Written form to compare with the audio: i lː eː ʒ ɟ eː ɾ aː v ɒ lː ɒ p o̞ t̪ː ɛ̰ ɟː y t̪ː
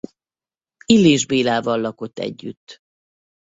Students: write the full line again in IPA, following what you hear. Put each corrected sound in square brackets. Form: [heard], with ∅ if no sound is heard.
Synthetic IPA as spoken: i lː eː ʒ [b] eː [l] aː v ɒ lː ɒ [k] o̞ t̪ː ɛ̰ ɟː y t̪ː